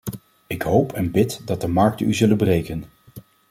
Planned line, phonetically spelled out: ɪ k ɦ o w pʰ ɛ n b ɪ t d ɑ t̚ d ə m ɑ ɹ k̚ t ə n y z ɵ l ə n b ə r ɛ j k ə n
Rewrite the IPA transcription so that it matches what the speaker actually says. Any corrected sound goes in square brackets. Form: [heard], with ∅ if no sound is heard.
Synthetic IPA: ɪ k ɦ o w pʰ ɛ n b ɪ t d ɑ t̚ d ə m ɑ ɹ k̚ t ə n y z ɵ l ə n b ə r [e] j k ə n

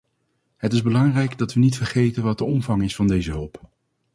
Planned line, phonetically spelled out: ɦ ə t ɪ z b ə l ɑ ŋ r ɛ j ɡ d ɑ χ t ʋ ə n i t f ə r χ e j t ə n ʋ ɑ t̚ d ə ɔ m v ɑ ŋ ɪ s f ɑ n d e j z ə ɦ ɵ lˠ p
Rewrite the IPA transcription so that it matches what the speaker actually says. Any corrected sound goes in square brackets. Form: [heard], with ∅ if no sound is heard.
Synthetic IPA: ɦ ə t ɪ z b ə l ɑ ŋ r ɛ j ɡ d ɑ [∅] t ʋ ə n i t f ə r χ e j t ə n ʋ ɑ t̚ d ə ɔ m v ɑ ŋ ɪ s f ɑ n d e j z ə ɦ ɵ lˠ p

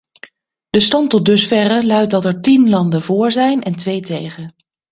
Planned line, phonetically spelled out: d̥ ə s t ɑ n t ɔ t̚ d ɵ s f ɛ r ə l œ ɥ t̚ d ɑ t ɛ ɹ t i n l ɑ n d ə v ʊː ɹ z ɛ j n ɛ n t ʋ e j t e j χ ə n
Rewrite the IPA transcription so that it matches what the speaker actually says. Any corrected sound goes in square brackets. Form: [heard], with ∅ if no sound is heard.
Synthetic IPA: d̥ ə s t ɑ n t ɔ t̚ d ɵ s f ɛ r ə l œ ɥ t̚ d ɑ t ɛ ɹ t i n l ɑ n d ə v ʊː ɹ z ɛ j n ɛ n t ʋ e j t e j χ ə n

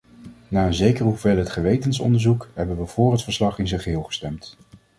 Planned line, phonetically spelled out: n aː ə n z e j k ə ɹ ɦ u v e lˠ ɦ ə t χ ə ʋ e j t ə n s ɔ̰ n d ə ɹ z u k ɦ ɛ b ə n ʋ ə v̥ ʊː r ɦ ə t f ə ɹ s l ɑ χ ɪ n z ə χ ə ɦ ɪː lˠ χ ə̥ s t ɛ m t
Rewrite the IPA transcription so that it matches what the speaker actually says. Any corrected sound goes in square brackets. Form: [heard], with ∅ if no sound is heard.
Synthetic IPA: n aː ə n z e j k ə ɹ ɦ u v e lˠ ɦ ə t χ ə ʋ e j t ə n s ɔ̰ n d ə ɹ z u k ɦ ɛ b ə n ʋ ə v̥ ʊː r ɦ ə t f ə ɹ s l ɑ χ ɪ n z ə χ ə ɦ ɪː lˠ χ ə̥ s t ɛ m t

